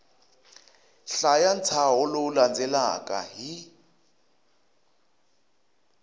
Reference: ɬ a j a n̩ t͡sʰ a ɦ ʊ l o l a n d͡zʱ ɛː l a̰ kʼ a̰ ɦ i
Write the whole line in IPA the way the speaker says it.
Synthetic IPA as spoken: ɬ a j a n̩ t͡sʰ a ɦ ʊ l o l a n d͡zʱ ɛ l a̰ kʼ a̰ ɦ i